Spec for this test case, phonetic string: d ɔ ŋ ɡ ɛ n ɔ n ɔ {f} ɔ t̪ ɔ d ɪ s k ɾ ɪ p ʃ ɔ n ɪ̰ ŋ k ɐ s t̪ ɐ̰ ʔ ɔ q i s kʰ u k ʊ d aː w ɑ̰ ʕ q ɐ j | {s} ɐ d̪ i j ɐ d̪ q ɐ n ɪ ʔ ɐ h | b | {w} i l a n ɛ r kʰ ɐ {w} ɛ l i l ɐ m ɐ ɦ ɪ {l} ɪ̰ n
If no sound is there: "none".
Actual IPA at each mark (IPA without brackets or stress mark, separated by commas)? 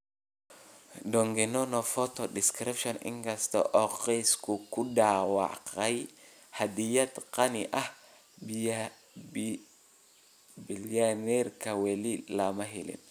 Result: f, h, b, w, l